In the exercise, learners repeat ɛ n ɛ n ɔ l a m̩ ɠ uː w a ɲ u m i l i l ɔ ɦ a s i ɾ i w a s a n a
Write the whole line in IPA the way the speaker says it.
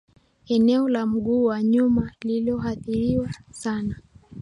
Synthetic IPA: ɛ n ɛ ɔ l a m̩ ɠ uː w a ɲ u m a l i l ɔ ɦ a θ i ɾ i w a s a n a